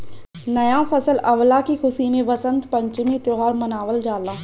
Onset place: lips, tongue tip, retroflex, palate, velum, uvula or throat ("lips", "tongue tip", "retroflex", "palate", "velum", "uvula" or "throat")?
tongue tip